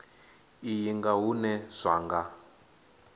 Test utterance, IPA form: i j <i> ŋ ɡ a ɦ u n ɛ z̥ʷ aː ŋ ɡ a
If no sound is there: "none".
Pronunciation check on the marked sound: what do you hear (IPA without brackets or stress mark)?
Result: i